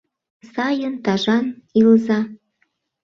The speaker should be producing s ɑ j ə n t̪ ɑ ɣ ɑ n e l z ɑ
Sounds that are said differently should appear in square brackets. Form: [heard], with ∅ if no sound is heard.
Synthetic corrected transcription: s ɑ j ə n t̪ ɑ [ʒ] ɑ n [i] l z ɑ